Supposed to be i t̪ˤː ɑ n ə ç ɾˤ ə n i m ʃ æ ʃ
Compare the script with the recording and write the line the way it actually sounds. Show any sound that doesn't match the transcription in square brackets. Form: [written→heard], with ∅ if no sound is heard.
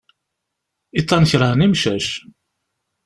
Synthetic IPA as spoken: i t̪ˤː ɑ n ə ç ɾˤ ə n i m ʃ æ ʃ